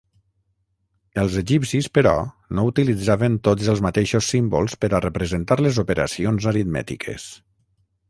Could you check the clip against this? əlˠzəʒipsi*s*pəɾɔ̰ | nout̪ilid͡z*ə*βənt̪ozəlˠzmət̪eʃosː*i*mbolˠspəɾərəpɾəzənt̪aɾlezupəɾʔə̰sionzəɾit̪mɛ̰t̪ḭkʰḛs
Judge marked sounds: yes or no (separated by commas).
yes, no, yes